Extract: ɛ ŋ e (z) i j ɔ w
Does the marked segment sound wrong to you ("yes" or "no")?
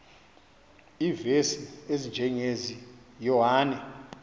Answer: no